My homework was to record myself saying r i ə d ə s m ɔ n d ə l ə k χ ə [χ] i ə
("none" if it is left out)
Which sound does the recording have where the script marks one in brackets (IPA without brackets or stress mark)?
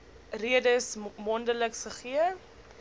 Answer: χ